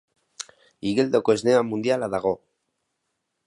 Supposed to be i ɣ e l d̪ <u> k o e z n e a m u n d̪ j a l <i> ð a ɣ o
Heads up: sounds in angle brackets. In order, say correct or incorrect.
incorrect: o, incorrect: a

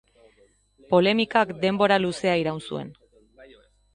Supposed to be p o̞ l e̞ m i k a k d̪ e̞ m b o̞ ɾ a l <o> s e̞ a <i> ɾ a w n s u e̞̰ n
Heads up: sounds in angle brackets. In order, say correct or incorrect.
incorrect: u, correct

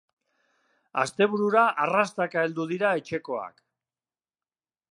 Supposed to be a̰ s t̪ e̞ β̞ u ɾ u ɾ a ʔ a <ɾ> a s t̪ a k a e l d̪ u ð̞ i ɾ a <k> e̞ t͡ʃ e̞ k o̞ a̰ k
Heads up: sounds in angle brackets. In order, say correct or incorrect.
incorrect: r, incorrect: none

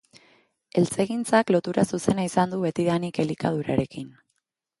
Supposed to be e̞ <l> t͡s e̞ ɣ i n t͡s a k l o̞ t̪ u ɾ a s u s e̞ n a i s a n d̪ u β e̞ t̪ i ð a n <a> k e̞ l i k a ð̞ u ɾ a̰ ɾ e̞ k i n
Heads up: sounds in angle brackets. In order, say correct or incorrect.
correct, incorrect: i

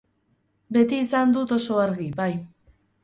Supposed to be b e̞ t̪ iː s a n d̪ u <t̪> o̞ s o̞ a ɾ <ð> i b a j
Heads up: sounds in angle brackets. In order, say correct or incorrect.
correct, incorrect: ɣ

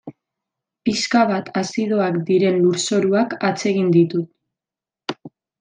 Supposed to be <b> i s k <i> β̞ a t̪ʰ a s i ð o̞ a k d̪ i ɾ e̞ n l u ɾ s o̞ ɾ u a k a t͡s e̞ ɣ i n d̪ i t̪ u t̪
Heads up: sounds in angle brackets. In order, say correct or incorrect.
incorrect: p, incorrect: a

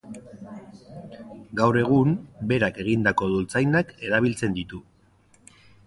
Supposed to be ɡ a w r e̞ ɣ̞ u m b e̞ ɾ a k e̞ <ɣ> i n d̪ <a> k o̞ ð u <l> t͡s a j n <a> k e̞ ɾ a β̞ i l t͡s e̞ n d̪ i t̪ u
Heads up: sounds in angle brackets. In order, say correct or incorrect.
correct, correct, correct, correct

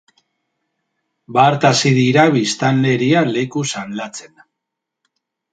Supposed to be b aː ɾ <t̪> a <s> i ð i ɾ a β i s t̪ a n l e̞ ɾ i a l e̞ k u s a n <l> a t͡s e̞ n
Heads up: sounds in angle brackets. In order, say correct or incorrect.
correct, correct, correct

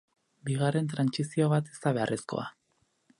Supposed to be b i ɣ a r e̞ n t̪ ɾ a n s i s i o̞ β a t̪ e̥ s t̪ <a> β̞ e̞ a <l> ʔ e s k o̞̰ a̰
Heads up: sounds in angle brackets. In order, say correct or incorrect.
correct, incorrect: r

